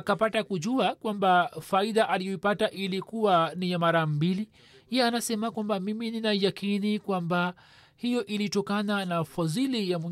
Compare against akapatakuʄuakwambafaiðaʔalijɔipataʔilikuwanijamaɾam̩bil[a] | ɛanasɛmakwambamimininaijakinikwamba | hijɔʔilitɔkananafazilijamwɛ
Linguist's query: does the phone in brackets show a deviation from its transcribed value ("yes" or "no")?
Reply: yes